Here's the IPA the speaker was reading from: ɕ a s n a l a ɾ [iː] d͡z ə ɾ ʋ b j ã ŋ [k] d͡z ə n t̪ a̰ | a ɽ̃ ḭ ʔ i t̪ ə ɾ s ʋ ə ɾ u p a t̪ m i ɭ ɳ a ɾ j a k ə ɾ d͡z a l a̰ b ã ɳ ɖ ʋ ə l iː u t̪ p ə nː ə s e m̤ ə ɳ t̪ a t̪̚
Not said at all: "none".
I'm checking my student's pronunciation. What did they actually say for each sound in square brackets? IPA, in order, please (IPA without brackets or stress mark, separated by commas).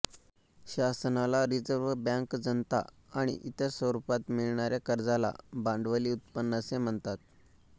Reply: i, k